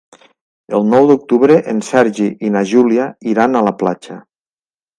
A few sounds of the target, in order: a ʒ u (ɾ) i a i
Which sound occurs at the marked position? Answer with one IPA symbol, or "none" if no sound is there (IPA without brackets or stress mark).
l